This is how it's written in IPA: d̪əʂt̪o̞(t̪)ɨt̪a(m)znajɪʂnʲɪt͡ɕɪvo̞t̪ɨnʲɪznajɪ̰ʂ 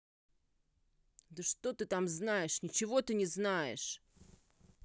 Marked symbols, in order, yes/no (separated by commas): yes, yes